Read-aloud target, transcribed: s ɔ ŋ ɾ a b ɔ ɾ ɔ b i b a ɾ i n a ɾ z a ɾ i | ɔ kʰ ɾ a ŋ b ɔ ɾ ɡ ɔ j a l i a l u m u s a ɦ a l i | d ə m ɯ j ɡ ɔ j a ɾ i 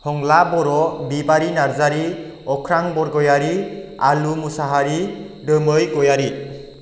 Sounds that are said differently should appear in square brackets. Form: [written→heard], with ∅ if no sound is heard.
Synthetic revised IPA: [s→h] ɔ ŋ [ɾ→l] a b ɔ ɾ ɔ b i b a ɾ i n a ɾ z a ɾ i | ɔ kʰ ɾ a ŋ b ɔ ɾ ɡ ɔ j a [l→ɾ] i a l u m u s a ɦ a [l→ɾ] i | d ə m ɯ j ɡ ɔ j a ɾ i